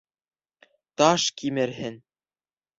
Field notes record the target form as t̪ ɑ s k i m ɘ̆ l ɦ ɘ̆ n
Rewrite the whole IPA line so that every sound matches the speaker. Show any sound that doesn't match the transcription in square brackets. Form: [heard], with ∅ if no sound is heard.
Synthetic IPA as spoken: t̪ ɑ [ʃ] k i m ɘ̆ [ɾ] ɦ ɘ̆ n